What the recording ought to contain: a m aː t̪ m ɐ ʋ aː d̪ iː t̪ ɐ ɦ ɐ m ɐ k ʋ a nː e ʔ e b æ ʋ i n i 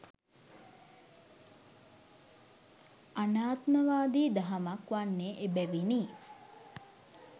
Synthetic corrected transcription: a n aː t̪ m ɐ ʋ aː d̪ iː d̪ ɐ ɦ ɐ m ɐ k ʋ a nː e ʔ e b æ ʋ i n i